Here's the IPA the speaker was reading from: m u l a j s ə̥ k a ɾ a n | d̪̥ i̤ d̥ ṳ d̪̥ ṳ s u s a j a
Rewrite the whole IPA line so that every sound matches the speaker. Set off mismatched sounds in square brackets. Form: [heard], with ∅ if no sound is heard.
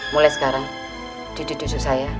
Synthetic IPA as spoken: m u l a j s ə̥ k a ɾ a [ŋ] | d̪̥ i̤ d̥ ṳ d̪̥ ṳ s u s a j a